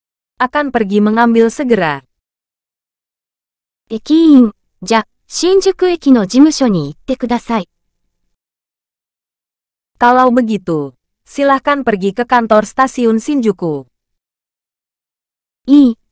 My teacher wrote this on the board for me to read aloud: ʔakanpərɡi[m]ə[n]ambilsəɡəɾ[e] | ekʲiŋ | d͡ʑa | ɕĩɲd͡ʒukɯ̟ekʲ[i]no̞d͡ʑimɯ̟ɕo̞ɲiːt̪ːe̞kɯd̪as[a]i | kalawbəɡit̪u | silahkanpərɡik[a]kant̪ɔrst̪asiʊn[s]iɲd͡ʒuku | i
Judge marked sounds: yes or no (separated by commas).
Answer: yes, no, no, yes, yes, no, yes